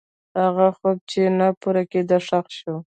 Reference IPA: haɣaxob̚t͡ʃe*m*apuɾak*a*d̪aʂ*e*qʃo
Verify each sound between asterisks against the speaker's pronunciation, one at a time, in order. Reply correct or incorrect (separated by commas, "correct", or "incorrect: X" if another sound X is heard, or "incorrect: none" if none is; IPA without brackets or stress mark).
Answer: incorrect: n, incorrect: e, incorrect: a